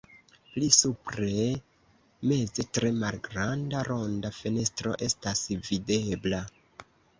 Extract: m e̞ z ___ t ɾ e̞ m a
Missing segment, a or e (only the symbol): e